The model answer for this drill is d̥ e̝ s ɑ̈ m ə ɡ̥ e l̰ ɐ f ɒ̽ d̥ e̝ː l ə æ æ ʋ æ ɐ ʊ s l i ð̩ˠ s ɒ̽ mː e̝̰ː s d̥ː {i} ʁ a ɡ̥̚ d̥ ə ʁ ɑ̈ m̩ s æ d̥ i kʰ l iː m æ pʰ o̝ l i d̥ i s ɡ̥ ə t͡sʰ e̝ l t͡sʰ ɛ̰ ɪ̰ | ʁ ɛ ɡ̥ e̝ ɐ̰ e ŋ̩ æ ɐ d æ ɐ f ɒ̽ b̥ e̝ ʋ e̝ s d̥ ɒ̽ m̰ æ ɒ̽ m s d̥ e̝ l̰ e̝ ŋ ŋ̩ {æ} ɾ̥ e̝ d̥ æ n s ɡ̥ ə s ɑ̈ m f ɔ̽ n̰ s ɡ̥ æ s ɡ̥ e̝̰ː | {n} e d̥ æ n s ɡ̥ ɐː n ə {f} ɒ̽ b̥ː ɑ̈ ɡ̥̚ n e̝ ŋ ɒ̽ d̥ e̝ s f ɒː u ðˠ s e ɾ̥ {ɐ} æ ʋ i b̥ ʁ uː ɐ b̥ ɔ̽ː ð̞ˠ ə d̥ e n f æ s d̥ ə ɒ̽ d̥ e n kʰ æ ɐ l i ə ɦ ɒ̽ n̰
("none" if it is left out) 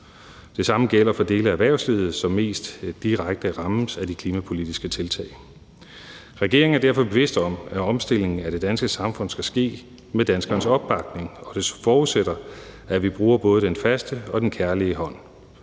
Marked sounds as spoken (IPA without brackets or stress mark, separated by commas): i, æ, m, s, ɐ